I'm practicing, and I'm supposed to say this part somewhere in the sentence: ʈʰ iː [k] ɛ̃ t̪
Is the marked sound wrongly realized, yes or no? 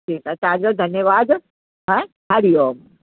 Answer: no